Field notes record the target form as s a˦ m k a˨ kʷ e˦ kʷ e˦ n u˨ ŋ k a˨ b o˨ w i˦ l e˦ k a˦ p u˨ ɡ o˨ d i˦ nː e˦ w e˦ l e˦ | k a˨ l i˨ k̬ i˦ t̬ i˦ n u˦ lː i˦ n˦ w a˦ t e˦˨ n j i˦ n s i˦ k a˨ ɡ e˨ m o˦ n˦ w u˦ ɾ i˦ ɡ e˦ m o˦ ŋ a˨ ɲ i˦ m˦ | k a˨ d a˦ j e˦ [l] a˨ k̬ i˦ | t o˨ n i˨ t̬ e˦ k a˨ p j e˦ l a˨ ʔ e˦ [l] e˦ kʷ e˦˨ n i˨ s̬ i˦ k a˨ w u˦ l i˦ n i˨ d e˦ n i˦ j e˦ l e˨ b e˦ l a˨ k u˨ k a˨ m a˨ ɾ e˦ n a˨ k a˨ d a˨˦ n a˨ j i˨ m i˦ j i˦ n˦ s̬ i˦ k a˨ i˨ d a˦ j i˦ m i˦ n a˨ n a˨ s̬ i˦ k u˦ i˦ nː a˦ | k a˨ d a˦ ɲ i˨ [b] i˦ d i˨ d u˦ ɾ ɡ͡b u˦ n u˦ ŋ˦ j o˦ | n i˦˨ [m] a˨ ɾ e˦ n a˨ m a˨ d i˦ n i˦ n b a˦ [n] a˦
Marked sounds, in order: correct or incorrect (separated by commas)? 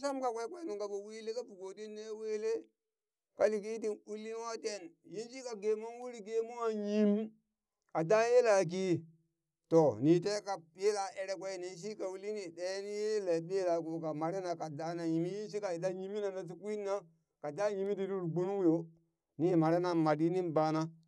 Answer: correct, incorrect, incorrect, correct, correct